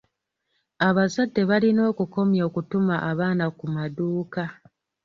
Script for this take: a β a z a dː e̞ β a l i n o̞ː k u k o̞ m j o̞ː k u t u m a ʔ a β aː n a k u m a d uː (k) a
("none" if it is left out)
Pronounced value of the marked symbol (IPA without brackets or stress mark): k